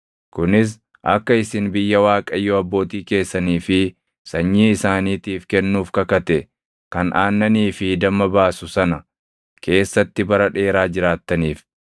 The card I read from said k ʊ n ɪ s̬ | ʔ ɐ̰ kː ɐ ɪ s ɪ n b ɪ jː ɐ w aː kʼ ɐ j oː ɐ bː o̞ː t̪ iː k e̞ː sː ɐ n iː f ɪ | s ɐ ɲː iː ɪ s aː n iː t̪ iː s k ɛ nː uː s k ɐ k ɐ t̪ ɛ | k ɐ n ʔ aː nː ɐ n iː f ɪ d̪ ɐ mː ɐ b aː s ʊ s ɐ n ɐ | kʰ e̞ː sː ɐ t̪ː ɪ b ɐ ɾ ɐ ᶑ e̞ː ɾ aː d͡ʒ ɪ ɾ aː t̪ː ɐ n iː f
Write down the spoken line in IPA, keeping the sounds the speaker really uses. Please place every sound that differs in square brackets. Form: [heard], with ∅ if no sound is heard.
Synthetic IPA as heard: k ʊ n ɪ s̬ | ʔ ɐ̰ kː ɐ ɪ s ɪ n b ɪ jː ɐ w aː kʼ ɐ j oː ɐ bː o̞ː t̪ iː k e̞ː sː ɐ n iː f ɪ | s ɐ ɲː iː ɪ s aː n iː t̪ iː [f] k ɛ nː uː [f] k ɐ k ɐ t̪ ɛ | k ɐ n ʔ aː nː ɐ n iː f ɪ d̪ ɐ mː ɐ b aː s ʊ s ɐ n ɐ | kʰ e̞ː sː ɐ t̪ː ɪ b ɐ ɾ ɐ ᶑ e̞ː ɾ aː d͡ʒ ɪ ɾ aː t̪ː ɐ n iː f